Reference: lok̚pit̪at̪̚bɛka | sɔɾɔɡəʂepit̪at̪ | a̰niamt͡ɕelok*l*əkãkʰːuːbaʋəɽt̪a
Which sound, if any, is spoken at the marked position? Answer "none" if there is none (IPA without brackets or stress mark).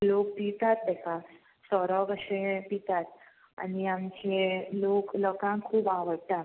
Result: l